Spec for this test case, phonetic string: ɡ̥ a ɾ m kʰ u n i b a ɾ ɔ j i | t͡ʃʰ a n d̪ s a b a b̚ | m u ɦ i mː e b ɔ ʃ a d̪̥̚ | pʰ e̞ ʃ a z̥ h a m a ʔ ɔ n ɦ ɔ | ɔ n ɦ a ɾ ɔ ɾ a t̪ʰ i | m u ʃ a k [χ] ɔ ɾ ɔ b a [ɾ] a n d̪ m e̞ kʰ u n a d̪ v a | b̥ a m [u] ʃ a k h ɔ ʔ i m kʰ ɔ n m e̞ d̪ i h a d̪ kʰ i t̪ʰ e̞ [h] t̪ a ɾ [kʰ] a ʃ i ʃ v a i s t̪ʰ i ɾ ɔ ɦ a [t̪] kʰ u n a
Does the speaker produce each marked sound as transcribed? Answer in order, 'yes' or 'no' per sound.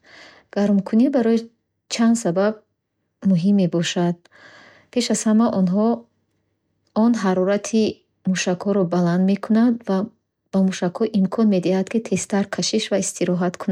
no, no, yes, no, yes, yes

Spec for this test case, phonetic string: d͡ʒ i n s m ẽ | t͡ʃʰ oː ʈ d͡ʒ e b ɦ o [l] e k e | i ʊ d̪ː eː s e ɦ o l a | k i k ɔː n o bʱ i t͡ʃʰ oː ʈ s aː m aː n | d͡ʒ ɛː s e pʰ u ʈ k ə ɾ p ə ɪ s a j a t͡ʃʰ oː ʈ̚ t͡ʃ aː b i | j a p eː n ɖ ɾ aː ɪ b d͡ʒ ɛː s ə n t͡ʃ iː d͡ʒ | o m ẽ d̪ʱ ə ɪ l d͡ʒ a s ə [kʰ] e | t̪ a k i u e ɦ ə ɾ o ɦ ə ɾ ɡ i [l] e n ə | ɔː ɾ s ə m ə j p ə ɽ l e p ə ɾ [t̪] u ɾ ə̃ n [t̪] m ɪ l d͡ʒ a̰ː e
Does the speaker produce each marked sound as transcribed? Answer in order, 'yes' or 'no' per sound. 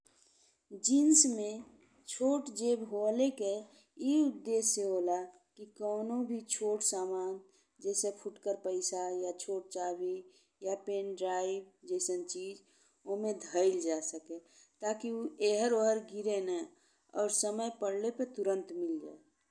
yes, no, no, yes, yes

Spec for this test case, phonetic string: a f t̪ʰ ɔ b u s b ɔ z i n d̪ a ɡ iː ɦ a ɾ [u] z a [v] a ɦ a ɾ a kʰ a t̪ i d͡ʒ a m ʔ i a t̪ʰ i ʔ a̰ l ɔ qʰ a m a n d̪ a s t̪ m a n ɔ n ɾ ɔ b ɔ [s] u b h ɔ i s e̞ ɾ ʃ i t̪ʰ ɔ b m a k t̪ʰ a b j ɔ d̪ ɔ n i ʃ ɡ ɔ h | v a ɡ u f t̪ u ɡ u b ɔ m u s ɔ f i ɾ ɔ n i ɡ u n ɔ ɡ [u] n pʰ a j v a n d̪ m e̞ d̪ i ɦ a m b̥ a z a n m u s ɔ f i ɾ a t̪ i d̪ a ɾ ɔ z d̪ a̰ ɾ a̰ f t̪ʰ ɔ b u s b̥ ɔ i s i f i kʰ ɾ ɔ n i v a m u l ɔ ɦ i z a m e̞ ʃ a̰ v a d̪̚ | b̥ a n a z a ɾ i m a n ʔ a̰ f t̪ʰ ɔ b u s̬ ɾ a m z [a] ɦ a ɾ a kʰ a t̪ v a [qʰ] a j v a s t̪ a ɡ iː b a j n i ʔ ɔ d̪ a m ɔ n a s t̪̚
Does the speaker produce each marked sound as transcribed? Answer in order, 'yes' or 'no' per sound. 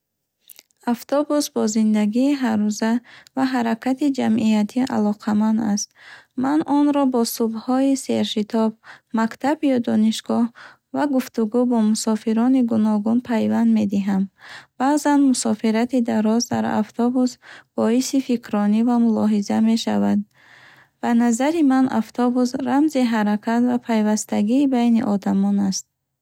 yes, yes, yes, yes, no, no

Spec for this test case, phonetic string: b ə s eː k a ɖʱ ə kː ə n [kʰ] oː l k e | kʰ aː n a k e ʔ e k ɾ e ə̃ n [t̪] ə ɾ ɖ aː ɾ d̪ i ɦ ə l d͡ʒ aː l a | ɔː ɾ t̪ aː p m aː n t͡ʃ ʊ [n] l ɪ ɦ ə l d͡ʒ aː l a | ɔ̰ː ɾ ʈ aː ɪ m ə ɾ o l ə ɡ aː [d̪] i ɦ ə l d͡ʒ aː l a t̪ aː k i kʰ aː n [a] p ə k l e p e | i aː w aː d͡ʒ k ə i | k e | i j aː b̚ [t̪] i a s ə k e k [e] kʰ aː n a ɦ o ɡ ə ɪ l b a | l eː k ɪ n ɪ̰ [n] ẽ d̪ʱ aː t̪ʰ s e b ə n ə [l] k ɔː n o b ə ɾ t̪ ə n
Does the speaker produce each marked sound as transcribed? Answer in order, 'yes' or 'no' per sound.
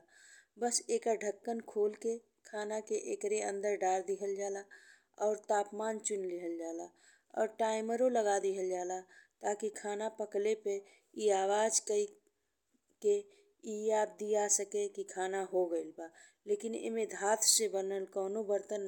yes, no, yes, yes, yes, no, no, no, yes

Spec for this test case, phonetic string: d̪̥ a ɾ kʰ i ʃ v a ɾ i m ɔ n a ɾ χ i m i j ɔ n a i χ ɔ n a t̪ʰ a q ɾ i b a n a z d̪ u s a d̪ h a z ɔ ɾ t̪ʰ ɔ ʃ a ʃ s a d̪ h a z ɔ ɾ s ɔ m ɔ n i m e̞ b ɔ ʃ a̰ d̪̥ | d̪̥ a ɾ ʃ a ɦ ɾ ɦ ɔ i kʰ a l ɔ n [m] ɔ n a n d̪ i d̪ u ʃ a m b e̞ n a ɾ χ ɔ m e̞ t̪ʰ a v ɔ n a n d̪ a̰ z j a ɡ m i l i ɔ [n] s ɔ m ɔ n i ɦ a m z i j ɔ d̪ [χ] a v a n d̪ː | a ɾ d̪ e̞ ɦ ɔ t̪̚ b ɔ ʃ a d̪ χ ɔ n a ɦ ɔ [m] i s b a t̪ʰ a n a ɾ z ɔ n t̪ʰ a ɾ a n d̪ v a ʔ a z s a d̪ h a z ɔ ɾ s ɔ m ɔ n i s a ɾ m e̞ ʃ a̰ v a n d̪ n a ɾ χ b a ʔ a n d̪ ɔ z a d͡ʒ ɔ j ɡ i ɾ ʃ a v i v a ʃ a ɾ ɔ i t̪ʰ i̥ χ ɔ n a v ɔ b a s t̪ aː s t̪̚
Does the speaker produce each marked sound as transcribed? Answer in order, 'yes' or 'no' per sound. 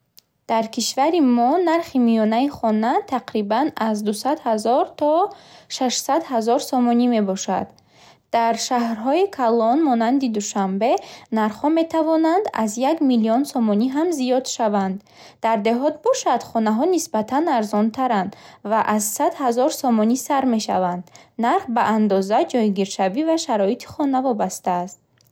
yes, yes, no, no

